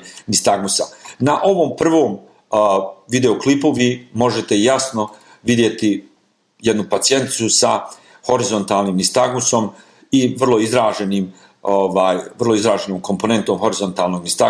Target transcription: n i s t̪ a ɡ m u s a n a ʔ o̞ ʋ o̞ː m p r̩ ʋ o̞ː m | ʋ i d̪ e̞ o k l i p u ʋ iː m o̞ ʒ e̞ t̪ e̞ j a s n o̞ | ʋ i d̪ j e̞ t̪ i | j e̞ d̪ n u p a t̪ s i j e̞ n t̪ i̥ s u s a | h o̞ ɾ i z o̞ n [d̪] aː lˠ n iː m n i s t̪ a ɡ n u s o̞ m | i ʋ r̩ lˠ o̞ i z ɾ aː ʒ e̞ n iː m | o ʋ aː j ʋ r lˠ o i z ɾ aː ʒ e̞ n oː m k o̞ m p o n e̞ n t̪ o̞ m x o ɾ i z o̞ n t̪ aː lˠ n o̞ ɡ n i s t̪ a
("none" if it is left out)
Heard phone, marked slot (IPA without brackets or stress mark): t̪